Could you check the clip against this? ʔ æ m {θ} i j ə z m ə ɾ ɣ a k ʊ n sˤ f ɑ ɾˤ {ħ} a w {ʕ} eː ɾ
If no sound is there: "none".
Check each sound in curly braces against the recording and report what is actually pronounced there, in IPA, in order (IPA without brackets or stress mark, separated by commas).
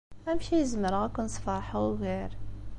ʃ, ħ, ɣ